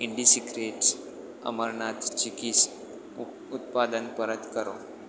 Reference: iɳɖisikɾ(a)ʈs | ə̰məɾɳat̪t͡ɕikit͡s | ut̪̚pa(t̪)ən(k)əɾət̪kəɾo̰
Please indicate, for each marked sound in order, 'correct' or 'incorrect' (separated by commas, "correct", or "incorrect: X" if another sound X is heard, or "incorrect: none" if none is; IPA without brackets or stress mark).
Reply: incorrect: e, incorrect: d̪, incorrect: p